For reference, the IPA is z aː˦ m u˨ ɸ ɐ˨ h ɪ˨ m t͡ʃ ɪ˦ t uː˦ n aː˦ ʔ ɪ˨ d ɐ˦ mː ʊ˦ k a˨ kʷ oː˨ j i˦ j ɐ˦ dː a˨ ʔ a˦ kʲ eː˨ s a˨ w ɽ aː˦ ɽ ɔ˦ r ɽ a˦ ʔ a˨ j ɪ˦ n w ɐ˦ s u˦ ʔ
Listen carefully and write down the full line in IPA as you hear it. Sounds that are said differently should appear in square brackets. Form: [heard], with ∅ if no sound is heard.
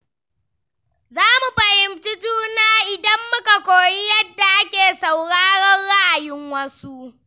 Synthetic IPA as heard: z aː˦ m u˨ ɸ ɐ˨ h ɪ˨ m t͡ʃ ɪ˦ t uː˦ n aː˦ ʔ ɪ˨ d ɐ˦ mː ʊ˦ k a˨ kʷ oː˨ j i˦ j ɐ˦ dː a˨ ʔ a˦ kʲ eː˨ s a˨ w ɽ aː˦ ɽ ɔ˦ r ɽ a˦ ʔ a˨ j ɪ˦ [ŋ] w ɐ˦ s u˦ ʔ